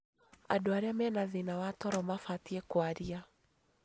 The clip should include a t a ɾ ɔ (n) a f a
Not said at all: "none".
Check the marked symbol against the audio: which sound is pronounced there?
m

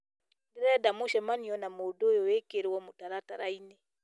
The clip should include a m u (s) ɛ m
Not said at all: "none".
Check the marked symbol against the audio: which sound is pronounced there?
ʃ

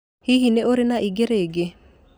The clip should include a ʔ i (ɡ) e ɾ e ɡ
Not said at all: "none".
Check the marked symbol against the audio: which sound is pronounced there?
ɡ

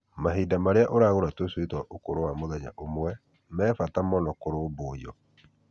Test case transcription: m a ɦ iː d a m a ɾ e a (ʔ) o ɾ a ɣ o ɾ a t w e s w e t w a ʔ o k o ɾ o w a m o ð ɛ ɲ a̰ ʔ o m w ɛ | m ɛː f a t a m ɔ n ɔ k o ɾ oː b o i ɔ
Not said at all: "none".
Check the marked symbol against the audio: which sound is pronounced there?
ʔ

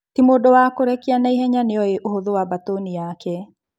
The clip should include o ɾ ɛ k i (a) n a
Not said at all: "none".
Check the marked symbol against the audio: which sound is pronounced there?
a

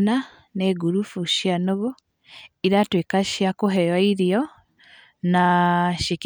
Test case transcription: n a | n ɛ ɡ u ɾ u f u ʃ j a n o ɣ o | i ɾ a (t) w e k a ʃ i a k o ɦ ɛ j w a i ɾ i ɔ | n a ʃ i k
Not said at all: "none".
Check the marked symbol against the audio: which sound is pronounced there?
t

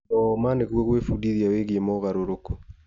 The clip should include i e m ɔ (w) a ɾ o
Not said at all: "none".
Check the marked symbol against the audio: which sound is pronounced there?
ɣ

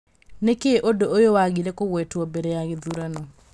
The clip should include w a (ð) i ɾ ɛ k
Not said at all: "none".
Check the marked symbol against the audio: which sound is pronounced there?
ɣ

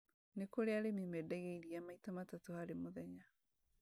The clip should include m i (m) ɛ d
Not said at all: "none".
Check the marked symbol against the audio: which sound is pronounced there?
m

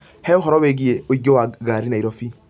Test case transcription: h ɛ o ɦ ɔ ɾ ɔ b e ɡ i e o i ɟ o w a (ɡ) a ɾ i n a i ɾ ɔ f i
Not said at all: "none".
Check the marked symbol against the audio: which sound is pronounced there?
ɡ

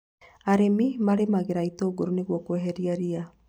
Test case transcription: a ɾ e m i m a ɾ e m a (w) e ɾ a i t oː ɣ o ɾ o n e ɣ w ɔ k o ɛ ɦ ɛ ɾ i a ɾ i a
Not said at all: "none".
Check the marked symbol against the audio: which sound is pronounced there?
ɣ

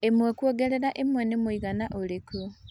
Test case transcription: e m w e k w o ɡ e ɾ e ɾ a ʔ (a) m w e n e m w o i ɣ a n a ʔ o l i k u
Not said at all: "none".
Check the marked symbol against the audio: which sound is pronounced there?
e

